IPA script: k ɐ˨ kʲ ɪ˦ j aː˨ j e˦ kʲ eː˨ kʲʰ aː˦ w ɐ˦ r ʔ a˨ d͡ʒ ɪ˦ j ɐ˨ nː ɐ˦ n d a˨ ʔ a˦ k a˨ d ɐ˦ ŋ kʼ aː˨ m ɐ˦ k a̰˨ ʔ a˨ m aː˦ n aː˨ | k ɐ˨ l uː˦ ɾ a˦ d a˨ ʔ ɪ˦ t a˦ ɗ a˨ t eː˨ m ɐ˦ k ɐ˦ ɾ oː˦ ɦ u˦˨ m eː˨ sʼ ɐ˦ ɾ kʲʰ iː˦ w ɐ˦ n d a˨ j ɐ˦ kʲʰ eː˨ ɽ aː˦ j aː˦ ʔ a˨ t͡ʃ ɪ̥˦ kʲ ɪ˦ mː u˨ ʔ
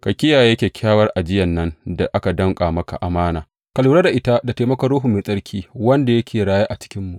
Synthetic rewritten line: k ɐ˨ kʲ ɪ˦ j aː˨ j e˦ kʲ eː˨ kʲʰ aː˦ w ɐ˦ r ʔ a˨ d͡ʒ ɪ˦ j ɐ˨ nː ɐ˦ n d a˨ ʔ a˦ k a˨ d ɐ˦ ŋ kʼ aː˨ m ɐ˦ k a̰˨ ʔ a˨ m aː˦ n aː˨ | k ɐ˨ l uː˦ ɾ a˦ d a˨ ʔ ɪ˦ t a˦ d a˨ t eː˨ m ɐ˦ k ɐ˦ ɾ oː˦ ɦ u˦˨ m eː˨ sʼ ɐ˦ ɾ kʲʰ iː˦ w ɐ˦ n d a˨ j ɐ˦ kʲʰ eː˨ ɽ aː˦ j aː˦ ʔ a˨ t͡ʃ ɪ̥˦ kʲ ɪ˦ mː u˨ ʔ